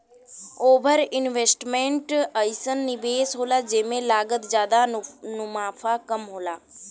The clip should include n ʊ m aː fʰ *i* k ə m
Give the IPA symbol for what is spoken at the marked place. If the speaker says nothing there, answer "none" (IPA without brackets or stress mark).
a